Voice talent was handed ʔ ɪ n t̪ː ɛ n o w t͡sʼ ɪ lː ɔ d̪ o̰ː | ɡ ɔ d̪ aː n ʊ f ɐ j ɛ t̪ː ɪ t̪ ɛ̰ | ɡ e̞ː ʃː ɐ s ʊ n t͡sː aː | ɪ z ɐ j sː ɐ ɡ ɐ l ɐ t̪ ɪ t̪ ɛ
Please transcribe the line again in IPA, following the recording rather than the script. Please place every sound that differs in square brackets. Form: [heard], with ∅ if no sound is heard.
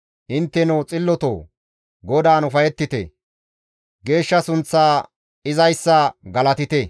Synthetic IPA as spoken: ʔ ɪ n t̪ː ɛ n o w t͡sʼ ɪ lː ɔ [t̪] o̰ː | ɡ ɔ d̪ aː n ʊ f ɐ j ɛ t̪ː ɪ t̪ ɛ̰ | ɡ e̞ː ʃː ɐ s ʊ n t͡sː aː | ɪ z ɐ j sː ɐ ɡ ɐ l ɐ t̪ ɪ t̪ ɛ